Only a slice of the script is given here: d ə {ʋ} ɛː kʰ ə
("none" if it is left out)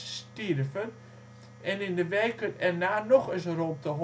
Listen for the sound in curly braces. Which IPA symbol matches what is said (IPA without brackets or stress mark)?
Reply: ʋ